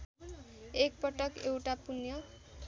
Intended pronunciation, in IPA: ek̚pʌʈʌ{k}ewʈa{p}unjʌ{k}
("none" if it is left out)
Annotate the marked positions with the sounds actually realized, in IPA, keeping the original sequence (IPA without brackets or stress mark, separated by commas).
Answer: k, p, none